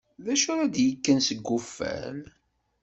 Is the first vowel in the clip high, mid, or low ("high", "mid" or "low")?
low